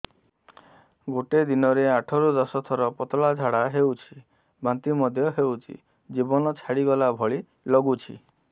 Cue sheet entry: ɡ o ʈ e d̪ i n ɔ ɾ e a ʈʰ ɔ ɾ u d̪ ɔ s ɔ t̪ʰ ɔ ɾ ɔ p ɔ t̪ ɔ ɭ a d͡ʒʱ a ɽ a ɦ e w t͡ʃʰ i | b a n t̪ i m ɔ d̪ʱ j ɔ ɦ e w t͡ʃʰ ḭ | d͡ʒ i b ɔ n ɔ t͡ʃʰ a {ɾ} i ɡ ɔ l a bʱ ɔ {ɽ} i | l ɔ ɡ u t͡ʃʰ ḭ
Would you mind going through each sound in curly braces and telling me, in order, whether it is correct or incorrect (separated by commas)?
incorrect, incorrect